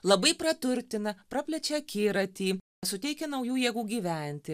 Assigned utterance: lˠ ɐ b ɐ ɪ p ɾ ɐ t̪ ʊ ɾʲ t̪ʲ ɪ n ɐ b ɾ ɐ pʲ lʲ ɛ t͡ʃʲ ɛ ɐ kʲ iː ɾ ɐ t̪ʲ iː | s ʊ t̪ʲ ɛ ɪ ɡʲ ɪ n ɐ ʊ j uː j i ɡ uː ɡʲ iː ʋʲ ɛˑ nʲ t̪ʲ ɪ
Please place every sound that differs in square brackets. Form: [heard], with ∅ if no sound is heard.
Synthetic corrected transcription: lˠ ɐ b ɐ ɪ p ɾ ɐ t̪ ʊ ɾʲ t̪ʲ ɪ n ɐ [p] ɾ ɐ pʲ lʲ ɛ t͡ʃʲ ɛ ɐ kʲ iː ɾ ɐ t̪ʲ iː | s ʊ t̪ʲ ɛ ɪ [kʲ] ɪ n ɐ ʊ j uː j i ɡ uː ɡʲ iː ʋʲ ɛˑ nʲ t̪ʲ ɪ